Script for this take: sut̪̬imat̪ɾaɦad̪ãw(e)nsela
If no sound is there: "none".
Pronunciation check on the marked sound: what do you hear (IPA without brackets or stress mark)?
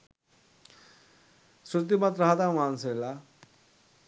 a